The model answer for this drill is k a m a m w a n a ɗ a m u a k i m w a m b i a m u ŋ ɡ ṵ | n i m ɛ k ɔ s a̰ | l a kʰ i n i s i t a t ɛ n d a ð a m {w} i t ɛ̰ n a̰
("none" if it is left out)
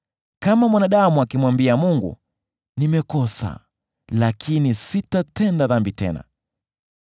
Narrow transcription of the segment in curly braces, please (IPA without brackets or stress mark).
b